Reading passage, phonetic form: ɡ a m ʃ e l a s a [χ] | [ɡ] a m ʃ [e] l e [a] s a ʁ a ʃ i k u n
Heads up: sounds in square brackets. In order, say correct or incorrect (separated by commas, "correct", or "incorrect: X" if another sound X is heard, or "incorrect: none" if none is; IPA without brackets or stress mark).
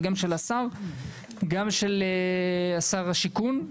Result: incorrect: ʁ, correct, correct, correct